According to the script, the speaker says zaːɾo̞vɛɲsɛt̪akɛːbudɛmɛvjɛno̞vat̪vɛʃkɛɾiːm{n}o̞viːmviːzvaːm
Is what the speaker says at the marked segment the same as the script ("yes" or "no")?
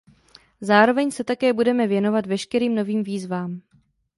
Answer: yes